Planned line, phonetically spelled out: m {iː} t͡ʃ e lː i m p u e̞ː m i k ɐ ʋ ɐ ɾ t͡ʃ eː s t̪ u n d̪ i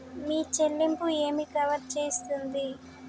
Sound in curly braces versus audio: correct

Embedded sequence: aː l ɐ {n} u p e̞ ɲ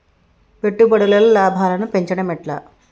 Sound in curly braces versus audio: correct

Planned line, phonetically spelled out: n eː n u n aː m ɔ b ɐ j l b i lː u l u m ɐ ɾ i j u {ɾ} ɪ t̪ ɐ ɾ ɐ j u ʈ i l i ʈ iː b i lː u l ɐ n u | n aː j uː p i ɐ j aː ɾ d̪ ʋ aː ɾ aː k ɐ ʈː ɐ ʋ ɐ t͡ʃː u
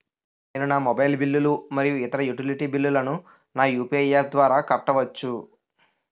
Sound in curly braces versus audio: incorrect: none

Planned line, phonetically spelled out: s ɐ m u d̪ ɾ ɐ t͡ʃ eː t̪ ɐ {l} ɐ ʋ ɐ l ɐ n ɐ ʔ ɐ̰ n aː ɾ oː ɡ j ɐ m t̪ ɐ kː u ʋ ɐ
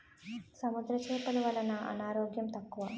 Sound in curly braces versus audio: correct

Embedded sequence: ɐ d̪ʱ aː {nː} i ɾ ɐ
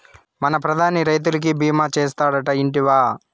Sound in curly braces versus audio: incorrect: n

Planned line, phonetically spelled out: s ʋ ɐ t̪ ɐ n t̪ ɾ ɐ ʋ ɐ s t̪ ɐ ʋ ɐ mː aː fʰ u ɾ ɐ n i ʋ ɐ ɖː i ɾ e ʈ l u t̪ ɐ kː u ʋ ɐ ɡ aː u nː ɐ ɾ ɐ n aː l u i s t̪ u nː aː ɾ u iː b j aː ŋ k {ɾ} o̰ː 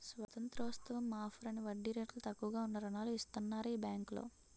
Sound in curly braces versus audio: incorrect: l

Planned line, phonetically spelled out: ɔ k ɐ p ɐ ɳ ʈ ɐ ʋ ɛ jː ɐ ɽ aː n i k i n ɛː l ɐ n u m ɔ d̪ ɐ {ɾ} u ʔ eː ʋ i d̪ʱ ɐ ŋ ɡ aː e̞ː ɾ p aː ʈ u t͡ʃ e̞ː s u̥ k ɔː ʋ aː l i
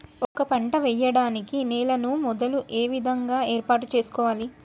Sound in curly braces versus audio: incorrect: l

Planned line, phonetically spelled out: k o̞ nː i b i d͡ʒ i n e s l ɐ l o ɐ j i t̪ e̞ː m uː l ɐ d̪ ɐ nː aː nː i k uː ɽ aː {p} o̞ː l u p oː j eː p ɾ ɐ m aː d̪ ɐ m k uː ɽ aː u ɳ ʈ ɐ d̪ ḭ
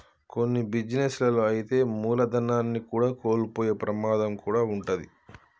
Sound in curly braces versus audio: incorrect: k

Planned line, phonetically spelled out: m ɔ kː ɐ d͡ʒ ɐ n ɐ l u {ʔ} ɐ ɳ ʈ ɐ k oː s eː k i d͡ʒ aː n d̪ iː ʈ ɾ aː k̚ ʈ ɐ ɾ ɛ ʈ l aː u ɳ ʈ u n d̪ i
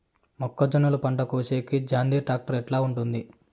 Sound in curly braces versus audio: incorrect: p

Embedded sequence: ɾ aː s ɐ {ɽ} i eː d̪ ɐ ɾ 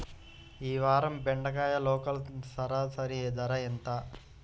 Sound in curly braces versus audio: incorrect: ɾ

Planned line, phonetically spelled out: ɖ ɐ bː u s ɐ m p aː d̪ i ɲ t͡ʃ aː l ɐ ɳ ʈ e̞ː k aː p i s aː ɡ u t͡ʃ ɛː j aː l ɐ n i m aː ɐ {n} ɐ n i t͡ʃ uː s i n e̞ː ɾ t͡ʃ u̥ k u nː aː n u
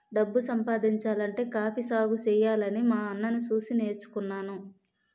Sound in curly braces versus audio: incorrect: nː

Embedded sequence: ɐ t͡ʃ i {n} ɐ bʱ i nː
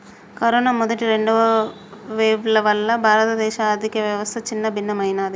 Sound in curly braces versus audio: incorrect: nː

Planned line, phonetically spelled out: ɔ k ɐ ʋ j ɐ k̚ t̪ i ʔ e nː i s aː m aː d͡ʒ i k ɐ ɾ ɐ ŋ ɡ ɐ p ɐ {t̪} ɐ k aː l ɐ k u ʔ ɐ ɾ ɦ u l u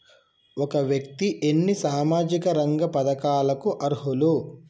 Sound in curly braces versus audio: incorrect: d̪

